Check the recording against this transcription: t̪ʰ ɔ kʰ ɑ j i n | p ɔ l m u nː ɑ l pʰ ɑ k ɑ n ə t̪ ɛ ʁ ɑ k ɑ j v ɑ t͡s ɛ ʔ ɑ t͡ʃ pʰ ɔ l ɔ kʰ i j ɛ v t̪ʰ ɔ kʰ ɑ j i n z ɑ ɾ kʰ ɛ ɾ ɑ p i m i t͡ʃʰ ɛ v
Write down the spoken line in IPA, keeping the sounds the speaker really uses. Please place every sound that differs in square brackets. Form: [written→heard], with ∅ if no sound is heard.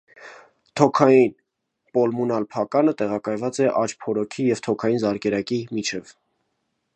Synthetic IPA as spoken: t̪ʰ ɔ kʰ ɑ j i n | p ɔ l m u [nː→n] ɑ l pʰ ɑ k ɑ n ə t̪ ɛ ʁ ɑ k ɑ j v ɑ t͡s ɛ ʔ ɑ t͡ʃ pʰ ɔ [l→ɾ] ɔ kʰ i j ɛ v t̪ʰ ɔ kʰ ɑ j i n z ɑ ɾ [kʰ→k] ɛ ɾ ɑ [p→k] i m i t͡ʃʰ ɛ v